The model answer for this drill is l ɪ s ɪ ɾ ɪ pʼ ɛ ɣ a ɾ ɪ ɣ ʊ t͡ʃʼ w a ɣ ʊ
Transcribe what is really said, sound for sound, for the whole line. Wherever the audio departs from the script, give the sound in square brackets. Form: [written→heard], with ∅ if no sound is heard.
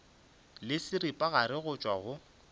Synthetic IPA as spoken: l ɪ s ɪ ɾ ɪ pʼ [ɛ→a] ɣ a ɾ ɪ ɣ ʊ t͡ʃʼ w a ɣ ʊ